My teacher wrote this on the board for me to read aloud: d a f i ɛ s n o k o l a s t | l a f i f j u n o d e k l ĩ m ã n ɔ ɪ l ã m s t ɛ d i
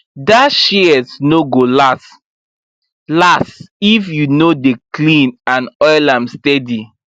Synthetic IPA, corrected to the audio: d a ʃ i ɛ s n o ɡ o l a s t | l a s i f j u n o d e k l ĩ n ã n ɔ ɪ l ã m s t ɛ d i